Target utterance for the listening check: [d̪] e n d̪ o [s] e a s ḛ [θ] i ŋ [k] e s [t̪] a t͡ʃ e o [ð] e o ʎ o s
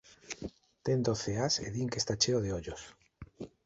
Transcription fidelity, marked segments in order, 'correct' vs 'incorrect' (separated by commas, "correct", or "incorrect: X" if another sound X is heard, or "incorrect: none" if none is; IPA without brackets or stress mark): incorrect: t̪, incorrect: θ, incorrect: ð, correct, correct, correct